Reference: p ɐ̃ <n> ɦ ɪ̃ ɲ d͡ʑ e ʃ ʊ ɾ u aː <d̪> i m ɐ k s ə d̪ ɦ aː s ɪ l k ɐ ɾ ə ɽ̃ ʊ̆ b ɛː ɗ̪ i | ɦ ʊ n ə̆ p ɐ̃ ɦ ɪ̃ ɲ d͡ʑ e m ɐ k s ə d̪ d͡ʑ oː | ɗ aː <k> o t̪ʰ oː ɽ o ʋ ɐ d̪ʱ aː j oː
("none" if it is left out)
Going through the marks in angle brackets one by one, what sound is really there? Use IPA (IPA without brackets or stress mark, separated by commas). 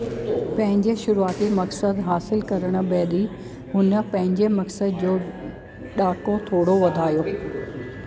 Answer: none, t̪, k